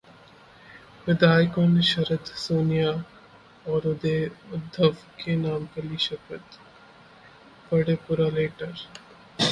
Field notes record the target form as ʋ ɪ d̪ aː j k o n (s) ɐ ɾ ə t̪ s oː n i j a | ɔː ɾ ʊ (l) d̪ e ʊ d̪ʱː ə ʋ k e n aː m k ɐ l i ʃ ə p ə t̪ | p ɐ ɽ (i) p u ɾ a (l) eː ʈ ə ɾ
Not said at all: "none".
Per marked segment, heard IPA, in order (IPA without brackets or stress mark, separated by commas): ʃ, none, e, l